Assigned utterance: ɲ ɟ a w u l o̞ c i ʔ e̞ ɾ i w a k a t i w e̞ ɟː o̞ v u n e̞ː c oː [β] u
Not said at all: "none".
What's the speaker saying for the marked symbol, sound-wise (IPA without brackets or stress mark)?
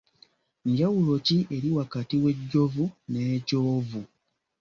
v